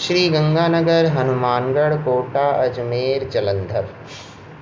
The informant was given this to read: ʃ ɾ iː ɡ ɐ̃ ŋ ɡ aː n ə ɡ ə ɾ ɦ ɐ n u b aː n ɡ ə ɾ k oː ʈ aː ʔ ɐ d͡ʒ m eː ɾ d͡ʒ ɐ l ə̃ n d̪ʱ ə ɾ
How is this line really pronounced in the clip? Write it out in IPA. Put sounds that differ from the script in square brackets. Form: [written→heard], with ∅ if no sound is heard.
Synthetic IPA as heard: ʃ ɾ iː ɡ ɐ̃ ŋ ɡ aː n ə ɡ ə ɾ ɦ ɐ n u [b→m] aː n ɡ ə [ɾ→ɽ] k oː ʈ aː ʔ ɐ d͡ʒ m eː ɾ d͡ʒ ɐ l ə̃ n d̪ʱ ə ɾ

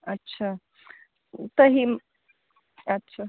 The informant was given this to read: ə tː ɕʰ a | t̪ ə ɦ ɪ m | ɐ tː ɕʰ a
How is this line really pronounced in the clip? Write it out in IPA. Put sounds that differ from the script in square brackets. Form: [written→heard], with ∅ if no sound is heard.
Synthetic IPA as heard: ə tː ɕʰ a | t̪ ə ɦ [ɪ→i] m | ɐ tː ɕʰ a

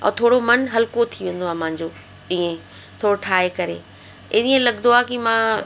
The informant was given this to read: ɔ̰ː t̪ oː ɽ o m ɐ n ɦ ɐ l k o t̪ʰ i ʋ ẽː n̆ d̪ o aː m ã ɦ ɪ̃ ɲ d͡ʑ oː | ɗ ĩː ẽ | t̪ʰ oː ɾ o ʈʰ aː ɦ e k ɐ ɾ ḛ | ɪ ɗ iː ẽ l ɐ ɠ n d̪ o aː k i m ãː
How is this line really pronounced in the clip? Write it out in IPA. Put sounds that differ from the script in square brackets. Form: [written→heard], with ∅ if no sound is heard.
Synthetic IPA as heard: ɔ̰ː [t̪→t̪ʰ] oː ɽ o m ɐ n ɦ ɐ l k o t̪ʰ i ʋ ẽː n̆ d̪ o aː m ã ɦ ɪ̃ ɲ d͡ʑ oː | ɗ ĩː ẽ | t̪ʰ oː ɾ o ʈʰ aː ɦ e k ɐ ɾ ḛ | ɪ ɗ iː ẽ l ɐ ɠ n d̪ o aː k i m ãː

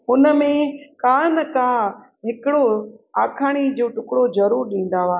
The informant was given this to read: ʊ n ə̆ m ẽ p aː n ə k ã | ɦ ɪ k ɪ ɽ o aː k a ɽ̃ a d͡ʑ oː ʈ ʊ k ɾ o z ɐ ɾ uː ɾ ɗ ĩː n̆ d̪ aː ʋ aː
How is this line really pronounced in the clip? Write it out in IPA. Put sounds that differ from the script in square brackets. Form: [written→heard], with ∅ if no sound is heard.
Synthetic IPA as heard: ʊ n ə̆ m ẽ [p→k] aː n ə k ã | ɦ ɪ k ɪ ɽ o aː [k→kʰ] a ɽ̃ [a→i] d͡ʑ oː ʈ ʊ k [ɾ→ɽ] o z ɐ ɾ uː ɾ ɗ ĩː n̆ d̪ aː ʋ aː

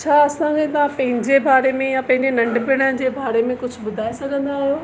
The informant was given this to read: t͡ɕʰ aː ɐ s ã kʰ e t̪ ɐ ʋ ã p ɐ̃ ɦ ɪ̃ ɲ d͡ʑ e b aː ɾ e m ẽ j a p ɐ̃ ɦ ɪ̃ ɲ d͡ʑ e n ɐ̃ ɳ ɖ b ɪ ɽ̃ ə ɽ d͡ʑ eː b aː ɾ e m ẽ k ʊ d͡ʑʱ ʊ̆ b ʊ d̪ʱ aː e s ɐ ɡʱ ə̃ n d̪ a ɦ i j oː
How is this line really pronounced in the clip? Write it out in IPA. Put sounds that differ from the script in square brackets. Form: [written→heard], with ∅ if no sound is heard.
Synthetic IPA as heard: t͡ɕʰ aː ɐ s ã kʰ e t̪ ɐ ʋ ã p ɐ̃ ɦ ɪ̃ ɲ d͡ʑ e b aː ɾ e m ẽ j a p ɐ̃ ɦ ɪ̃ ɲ d͡ʑ e n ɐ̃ ɳ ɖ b ɪ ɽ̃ ə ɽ d͡ʑ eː b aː ɾ e m ẽ k ʊ d͡ʑʱ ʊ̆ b ʊ d̪ʱ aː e s ɐ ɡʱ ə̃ n d̪ a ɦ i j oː

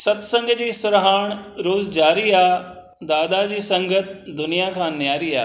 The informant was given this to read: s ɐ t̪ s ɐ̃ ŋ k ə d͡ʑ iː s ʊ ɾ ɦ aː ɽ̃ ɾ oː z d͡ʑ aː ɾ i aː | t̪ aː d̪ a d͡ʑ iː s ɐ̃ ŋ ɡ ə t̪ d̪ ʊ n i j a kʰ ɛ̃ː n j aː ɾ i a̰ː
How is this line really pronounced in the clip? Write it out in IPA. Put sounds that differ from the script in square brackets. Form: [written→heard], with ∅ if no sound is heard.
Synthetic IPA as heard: s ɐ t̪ s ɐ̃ ŋ [k→ɡ] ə d͡ʑ iː s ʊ ɾ ɦ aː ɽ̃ ɾ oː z d͡ʑ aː ɾ i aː | [t̪→d̪] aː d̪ a d͡ʑ iː s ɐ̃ ŋ ɡ ə t̪ d̪ ʊ n i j a kʰ [ɛ̃ː→ãː] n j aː ɾ i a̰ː

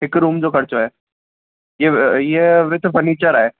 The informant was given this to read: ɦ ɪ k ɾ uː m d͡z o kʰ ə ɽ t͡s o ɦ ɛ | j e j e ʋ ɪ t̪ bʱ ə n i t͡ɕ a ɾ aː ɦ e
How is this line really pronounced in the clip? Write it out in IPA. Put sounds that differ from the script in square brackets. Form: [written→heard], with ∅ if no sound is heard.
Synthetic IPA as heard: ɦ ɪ k ɾ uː m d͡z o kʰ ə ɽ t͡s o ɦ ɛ | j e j e ʋ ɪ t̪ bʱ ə n i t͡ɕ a ɾ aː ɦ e

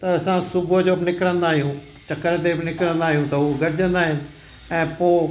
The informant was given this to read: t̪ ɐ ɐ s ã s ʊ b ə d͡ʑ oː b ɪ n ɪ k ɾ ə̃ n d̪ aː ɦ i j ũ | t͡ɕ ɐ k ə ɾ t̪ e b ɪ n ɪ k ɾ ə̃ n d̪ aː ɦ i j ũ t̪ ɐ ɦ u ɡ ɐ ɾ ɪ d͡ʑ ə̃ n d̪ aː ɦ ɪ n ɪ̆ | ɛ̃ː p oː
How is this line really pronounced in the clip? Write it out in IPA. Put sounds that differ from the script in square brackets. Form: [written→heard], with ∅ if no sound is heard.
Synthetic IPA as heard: t̪ ɐ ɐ s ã s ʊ b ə d͡ʑ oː b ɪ n ɪ k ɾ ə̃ n d̪ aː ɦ i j ũ | t͡ɕ ɐ k ə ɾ t̪ e b ɪ n ɪ k ɾ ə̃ n d̪ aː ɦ i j ũ t̪ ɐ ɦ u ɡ ɐ ɾ ɪ d͡ʑ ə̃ n d̪ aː ɦ ɪ n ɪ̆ | ɛ̃ː p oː

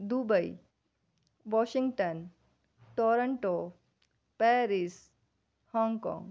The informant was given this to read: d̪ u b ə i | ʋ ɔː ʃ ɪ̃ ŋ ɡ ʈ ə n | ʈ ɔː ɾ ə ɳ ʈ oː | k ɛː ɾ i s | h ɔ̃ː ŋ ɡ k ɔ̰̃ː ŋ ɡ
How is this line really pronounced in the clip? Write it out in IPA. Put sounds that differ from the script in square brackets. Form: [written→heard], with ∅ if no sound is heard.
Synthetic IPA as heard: d̪ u b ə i | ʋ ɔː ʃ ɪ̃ ŋ ɡ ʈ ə n | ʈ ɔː ɾ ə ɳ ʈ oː | [k→p] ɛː ɾ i s | h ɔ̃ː ŋ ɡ k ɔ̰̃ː ŋ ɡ

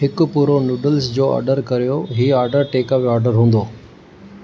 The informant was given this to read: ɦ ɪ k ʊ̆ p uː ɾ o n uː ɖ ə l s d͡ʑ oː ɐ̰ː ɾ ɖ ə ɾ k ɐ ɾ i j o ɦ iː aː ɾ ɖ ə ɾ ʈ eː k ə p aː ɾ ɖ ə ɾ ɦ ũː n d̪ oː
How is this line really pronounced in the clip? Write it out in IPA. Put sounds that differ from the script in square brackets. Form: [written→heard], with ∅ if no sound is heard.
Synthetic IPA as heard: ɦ ɪ k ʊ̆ p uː ɾ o n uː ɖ ə l s d͡ʑ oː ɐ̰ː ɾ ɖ ə ɾ k ɐ ɾ i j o ɦ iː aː ɾ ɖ ə ɾ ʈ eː k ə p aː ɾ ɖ ə ɾ ɦ ũː n d̪ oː

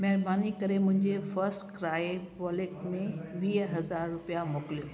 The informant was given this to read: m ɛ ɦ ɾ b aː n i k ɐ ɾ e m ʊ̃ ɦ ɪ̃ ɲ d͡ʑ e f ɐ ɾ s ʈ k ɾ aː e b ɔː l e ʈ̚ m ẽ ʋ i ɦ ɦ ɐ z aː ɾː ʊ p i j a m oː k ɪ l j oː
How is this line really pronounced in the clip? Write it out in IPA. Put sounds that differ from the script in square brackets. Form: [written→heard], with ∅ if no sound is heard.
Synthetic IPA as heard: m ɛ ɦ ɾ b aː n i k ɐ ɾ e m ʊ̃ ɦ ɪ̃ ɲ d͡ʑ e f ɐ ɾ s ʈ k ɾ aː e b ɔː l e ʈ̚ m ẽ ʋ [i→iː] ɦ ɦ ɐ z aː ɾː ʊ p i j a m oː k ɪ l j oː

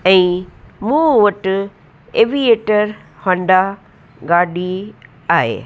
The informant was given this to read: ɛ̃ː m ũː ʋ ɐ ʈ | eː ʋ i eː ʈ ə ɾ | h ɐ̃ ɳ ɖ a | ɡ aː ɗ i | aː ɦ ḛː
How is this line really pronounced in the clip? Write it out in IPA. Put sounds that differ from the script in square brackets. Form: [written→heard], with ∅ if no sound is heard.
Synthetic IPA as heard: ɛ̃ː m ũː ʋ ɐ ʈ | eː ʋ i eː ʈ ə ɾ | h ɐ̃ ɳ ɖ a | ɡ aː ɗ i | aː ɦ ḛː

